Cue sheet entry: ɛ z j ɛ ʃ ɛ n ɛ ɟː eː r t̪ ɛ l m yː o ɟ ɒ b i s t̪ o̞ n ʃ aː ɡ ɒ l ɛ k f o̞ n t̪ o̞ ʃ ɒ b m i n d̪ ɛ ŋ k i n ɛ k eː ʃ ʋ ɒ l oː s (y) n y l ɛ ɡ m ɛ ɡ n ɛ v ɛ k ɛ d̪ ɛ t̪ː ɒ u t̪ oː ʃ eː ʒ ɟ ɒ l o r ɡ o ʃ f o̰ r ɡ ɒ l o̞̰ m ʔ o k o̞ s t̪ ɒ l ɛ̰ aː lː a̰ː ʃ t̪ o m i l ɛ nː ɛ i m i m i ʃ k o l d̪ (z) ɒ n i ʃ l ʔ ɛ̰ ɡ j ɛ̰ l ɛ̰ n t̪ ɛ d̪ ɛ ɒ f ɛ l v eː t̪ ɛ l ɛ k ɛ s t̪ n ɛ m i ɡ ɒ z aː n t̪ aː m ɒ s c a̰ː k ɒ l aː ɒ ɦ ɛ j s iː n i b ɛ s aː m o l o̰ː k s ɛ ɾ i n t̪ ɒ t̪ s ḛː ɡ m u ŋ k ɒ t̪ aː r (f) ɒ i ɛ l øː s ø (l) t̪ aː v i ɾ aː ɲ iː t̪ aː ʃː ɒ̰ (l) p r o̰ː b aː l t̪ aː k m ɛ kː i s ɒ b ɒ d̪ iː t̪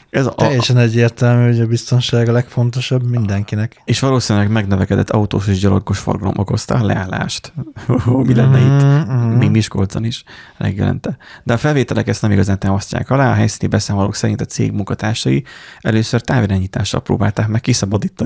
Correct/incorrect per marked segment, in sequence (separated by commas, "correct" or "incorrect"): incorrect, correct, incorrect, incorrect, correct